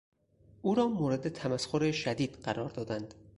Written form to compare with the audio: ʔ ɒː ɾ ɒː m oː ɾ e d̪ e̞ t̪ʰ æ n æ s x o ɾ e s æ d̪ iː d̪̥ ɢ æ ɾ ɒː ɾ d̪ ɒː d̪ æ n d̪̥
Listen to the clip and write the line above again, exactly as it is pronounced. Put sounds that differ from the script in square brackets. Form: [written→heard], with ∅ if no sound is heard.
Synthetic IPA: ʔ [ɒː→uː] ɾ ɒː m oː ɾ e d̪ e̞ t̪ʰ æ [n→m] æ s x o ɾ e [s→ʃ] æ d̪ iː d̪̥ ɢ æ ɾ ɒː ɾ d̪ ɒː d̪ æ n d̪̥